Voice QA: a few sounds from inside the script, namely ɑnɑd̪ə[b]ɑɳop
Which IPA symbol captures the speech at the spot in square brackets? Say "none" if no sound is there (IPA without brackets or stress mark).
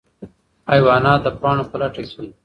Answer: p